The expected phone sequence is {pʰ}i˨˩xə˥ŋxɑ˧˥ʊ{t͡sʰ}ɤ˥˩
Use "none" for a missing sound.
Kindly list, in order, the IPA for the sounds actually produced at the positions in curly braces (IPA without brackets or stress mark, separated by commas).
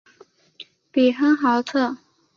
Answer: p, t͡sʰ